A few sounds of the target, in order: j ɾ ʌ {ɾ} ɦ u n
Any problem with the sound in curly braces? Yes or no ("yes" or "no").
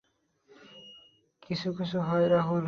yes